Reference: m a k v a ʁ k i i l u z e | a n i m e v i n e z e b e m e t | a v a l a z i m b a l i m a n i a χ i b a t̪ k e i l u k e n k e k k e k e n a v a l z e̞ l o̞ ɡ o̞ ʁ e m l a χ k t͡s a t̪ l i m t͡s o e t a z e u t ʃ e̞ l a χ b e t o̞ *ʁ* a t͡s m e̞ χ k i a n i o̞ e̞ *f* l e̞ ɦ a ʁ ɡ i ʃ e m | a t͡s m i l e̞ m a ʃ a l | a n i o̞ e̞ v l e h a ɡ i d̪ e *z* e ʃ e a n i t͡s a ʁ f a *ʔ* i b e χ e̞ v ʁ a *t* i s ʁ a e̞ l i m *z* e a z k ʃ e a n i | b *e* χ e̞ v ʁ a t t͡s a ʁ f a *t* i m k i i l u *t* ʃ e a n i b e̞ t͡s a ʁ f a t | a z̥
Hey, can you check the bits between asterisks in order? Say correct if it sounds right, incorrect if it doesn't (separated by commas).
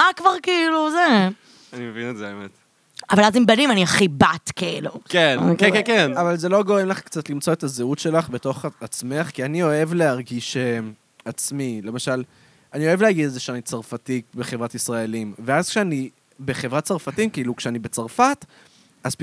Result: incorrect, incorrect, correct, incorrect, correct, incorrect, correct, correct, incorrect